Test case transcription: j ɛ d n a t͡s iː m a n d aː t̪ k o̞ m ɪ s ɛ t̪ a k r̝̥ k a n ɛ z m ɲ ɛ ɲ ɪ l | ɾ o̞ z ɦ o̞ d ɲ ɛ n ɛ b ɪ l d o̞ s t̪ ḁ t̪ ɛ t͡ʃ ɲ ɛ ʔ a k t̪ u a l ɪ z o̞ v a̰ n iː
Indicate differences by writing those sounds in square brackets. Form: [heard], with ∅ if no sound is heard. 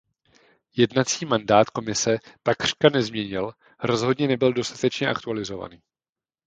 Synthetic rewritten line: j ɛ d n a t͡s iː m a n d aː t̪ k o̞ m ɪ s ɛ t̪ a k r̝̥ k a n ɛ z m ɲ ɛ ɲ ɪ l | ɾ o̞ z ɦ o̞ d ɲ ɛ n ɛ b ɪ l d o̞ s t̪ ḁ t̪ ɛ t͡ʃ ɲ ɛ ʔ a k t̪ u a l ɪ z o̞ v a̰ n iː